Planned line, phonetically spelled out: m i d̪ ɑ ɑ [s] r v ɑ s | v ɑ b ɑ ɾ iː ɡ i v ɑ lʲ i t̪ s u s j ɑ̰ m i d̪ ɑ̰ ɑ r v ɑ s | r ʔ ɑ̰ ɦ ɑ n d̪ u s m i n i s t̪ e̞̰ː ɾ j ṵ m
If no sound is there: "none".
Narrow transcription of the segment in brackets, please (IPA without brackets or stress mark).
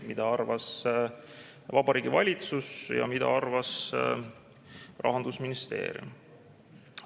none